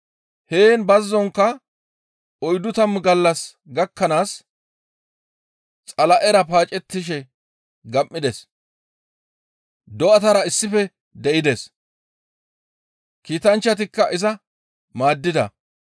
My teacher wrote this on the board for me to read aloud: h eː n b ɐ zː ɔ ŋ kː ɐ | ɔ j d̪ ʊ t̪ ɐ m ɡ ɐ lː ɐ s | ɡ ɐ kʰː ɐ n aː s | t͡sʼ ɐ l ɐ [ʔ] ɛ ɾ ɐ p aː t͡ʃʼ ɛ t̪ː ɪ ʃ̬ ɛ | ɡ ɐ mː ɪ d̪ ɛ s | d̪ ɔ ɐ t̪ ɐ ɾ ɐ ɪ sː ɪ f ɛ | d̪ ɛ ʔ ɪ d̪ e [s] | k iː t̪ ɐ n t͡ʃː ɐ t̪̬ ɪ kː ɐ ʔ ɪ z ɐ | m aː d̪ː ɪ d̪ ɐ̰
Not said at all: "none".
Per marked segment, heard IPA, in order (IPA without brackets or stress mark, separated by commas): ʔ, s